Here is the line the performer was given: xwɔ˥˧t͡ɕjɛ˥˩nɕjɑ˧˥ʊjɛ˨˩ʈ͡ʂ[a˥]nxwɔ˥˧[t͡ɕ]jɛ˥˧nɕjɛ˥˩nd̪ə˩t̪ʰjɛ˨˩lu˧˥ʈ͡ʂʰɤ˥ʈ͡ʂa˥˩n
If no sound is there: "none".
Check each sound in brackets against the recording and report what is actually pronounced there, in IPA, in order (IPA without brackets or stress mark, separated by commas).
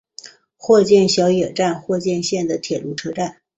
a˥˧, t͡ɕ